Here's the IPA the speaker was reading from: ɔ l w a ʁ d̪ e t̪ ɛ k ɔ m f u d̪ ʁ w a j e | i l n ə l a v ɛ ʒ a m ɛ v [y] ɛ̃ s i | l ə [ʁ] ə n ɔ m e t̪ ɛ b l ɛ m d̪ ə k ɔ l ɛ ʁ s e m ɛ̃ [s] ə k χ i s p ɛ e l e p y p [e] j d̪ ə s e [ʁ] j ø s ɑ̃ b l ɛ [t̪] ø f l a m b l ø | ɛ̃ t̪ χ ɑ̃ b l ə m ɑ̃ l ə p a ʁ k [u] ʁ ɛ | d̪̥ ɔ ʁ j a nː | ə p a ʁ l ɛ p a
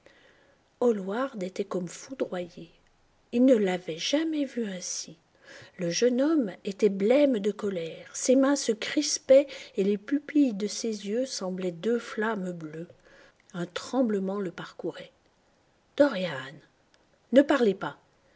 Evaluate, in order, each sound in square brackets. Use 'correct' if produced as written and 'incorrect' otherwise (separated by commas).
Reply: correct, incorrect, correct, incorrect, incorrect, incorrect, correct